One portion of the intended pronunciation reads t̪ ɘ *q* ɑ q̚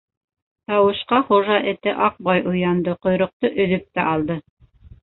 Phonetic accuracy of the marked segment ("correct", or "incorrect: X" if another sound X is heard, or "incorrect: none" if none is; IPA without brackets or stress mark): incorrect: ʔ